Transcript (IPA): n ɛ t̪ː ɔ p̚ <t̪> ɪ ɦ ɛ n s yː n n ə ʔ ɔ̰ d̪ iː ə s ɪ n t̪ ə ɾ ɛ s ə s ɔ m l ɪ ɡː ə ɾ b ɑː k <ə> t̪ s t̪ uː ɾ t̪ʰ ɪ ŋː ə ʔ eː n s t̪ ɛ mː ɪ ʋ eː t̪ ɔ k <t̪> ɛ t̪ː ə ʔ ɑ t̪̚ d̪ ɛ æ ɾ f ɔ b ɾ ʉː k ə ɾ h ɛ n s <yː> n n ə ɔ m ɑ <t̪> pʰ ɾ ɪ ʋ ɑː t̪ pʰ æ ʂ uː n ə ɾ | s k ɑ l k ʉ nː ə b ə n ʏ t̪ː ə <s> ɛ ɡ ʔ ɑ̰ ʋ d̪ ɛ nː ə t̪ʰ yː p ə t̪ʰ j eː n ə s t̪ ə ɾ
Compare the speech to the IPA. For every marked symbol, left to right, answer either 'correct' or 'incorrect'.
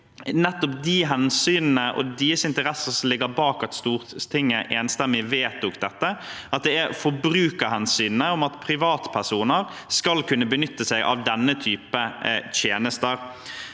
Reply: incorrect: d̪, incorrect: ɑ, incorrect: d̪, correct, correct, correct

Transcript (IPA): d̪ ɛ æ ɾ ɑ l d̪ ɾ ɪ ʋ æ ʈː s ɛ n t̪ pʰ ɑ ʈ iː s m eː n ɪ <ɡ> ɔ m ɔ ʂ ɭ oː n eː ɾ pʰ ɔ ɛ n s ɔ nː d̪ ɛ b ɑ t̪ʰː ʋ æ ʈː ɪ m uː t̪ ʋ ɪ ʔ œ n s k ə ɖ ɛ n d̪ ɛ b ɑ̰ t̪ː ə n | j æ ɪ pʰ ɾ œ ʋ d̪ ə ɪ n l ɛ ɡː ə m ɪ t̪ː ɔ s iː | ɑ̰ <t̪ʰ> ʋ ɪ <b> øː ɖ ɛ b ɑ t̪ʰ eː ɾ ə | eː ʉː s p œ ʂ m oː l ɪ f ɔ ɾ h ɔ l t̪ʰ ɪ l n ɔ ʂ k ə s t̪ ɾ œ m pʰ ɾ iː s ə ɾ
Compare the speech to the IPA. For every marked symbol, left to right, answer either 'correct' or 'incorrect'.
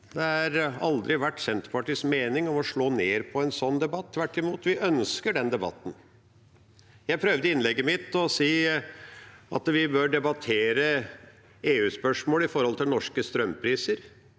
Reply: incorrect: ŋ, incorrect: t̪, correct

